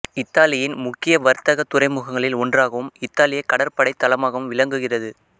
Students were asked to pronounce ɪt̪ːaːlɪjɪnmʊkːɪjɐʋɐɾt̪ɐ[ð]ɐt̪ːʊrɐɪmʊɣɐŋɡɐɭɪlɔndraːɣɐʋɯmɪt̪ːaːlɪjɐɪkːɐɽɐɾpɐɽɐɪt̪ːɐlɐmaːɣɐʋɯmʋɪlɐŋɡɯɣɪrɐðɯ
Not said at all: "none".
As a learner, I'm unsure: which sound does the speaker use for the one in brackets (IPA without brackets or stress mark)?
ɣ